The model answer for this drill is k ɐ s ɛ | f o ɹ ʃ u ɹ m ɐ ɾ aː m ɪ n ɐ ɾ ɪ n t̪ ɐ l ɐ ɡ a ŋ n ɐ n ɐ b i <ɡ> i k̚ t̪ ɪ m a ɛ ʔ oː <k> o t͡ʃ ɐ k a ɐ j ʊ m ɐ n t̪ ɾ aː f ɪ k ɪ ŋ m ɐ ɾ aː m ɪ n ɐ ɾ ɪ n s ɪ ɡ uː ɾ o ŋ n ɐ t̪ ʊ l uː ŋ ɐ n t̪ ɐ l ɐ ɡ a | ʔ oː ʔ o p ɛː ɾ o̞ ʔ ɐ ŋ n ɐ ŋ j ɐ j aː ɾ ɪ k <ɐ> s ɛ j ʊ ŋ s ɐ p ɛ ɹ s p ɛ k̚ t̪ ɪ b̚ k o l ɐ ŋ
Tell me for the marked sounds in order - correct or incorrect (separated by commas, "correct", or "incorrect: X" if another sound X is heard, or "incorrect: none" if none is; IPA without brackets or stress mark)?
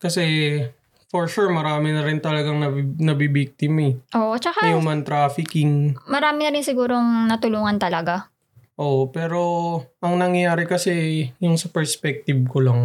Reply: incorrect: b, incorrect: ʔ, correct